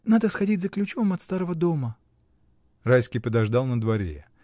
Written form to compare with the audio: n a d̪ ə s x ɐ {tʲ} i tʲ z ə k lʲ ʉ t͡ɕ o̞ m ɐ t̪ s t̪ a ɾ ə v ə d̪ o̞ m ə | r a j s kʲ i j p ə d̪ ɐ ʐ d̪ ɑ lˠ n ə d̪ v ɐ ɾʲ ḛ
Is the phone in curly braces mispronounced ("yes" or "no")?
yes